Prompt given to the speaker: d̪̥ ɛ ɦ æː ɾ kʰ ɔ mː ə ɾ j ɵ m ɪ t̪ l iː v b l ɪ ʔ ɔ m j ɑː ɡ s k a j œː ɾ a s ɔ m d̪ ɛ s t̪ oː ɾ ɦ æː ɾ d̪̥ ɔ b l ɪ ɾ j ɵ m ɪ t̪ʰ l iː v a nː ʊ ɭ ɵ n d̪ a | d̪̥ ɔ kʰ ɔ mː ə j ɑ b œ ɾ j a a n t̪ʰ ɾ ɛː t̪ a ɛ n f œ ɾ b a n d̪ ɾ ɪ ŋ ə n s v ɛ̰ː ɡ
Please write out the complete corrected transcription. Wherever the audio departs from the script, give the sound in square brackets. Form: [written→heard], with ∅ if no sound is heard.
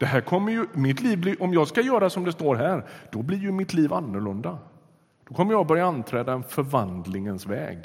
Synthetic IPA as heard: d̪̥ ɛ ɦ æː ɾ kʰ ɔ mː ə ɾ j ɵ m ɪ t̪ l iː v b l ɪ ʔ ɔ m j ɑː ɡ s k a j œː ɾ a s ɔ m d̪ ɛ s t̪ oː ɾ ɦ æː ɾ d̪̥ ɔ b l ɪ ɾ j ɵ m ɪ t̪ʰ l iː v a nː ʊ ɭ ɵ n d̪ a | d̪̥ ɔ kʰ ɔ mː ə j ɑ b œ ɾ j a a n t̪ʰ ɾ ɛː [t̪→d̪] a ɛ n f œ ɾ [b→v] a n d̪ [ɾ→l] ɪ ŋ ə n s v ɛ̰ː ɡ